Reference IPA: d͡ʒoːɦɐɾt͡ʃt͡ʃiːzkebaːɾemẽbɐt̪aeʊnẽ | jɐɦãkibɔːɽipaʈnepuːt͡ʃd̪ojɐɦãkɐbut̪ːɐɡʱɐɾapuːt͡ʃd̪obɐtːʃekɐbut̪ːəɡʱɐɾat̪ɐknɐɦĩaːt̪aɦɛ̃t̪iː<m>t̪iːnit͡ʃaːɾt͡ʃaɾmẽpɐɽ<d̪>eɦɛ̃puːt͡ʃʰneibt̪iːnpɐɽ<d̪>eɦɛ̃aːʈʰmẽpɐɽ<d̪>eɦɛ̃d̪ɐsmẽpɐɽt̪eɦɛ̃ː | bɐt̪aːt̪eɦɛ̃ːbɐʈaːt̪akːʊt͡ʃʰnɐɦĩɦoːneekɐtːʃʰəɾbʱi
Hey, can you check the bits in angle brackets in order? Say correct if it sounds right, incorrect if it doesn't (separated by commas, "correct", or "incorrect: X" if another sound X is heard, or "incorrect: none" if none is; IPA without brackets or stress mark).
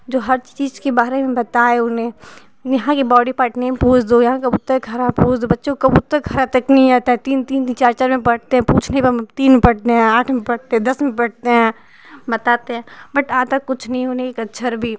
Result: incorrect: n, incorrect: t̪, incorrect: t̪, incorrect: t̪